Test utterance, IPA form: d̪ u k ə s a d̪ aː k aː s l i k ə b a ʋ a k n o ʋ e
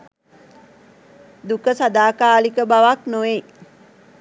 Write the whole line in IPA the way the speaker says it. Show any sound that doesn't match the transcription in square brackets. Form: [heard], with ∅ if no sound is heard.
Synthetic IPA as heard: d̪ u k ə s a d̪ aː k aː [∅] l i k ə b a ʋ a k n o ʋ e